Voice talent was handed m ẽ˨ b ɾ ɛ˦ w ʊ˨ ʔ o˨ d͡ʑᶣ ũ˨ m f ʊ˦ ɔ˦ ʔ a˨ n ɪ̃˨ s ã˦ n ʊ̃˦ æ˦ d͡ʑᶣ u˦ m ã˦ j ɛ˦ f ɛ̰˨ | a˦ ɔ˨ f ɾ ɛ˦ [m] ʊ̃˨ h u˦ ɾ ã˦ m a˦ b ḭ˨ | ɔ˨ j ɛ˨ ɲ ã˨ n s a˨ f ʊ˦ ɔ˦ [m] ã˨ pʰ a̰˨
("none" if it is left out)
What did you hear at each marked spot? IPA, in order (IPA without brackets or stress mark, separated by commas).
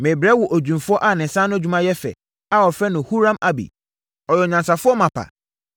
n, m